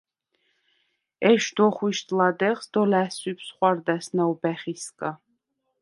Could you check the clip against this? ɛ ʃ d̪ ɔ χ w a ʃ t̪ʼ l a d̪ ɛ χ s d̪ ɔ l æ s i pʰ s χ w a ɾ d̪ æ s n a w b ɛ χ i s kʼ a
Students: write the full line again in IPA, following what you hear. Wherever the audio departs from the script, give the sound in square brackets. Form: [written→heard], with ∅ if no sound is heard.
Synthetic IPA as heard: ɛ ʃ d̪ ɔ χ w [a→i] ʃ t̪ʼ l a d̪ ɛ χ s d̪ ɔ l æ s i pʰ s χ w a ɾ d̪ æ s n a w b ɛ χ i s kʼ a